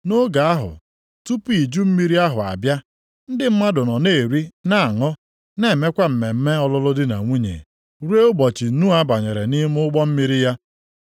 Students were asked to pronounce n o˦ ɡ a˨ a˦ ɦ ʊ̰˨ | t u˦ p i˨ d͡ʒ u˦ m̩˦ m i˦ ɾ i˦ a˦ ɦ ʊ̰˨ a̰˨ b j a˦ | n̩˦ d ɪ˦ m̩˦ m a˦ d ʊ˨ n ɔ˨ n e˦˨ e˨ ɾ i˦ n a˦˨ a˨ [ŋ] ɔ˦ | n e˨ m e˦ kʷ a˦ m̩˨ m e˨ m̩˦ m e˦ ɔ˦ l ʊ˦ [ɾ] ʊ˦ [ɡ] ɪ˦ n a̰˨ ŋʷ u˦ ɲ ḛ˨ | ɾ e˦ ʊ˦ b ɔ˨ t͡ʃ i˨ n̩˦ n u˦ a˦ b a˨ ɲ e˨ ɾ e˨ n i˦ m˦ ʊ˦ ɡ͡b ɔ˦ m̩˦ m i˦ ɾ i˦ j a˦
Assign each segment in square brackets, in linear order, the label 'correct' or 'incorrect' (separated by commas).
correct, incorrect, incorrect